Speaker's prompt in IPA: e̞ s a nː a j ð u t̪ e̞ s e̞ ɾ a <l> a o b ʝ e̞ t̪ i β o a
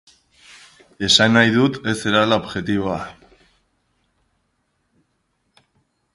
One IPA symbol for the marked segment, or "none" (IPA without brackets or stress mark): l